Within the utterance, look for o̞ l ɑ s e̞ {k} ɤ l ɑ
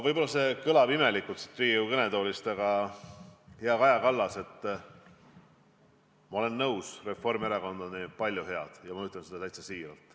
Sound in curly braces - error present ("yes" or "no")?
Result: no